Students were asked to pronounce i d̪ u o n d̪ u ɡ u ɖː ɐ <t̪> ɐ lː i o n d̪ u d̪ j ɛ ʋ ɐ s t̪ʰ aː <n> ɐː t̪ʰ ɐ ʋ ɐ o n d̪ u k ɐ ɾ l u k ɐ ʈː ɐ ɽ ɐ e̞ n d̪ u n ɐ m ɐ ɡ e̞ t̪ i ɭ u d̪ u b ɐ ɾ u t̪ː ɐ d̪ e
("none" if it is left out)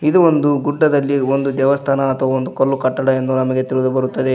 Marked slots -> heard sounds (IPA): d̪, n

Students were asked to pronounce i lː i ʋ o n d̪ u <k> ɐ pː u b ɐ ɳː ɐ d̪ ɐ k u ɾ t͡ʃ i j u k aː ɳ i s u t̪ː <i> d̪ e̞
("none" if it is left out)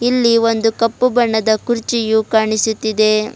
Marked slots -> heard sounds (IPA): k, i

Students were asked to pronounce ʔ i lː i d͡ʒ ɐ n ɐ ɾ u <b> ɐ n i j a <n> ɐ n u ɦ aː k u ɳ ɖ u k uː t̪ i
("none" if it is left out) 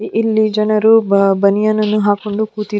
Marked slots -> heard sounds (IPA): b, n

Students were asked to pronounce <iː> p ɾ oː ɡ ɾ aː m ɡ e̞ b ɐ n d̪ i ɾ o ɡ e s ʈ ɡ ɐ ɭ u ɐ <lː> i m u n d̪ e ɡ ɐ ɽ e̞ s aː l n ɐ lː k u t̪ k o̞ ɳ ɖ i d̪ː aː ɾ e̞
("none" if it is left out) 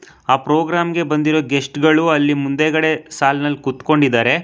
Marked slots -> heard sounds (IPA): aː, lː

